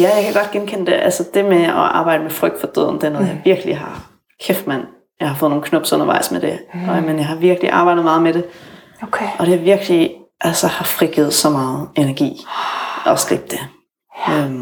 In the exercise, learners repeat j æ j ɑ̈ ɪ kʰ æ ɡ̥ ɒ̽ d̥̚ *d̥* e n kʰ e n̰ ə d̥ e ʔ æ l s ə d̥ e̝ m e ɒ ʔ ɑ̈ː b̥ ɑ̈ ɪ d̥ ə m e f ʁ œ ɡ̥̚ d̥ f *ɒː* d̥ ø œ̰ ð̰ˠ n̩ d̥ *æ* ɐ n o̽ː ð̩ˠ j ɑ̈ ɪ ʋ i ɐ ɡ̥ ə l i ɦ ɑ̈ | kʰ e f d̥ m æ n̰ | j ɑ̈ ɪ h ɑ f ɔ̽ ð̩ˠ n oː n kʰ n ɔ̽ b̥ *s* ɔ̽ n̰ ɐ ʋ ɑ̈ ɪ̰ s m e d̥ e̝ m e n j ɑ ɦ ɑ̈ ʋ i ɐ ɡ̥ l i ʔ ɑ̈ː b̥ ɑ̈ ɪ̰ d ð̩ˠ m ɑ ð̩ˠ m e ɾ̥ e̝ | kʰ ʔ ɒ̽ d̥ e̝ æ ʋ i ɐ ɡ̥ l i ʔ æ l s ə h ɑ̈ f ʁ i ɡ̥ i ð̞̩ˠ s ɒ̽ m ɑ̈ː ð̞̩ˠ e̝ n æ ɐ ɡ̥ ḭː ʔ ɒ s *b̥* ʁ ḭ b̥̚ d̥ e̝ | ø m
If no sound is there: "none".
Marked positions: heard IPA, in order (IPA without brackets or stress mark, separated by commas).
ɡ̥, ɒ, e, s, ɡ̥